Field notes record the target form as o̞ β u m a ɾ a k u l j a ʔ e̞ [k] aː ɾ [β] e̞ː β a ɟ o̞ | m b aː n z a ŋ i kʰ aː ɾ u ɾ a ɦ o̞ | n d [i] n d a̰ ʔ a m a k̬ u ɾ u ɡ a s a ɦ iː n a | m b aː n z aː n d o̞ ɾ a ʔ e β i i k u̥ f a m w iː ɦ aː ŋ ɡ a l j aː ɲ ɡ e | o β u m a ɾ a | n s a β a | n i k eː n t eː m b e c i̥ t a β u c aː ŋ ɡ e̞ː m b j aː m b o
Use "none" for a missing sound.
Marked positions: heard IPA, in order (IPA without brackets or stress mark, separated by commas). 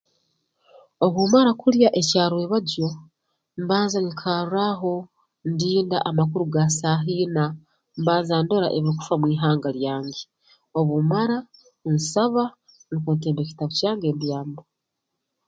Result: c, w, iː